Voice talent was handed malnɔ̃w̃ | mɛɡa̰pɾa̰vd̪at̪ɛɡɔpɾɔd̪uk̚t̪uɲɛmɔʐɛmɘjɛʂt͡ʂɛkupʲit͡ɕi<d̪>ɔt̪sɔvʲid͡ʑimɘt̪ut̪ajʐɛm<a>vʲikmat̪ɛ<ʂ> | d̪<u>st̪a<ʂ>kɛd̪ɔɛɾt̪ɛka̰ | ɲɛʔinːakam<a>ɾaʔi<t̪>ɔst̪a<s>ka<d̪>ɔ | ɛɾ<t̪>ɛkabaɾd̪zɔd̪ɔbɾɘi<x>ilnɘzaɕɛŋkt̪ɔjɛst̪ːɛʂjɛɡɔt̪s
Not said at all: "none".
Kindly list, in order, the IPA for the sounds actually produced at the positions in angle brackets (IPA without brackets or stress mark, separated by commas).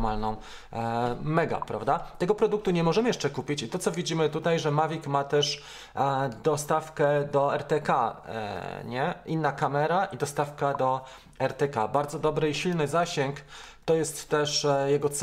t̪, a, ʂ, ɔ, f, ɛ, d̪, f, d̪, t̪, ɕ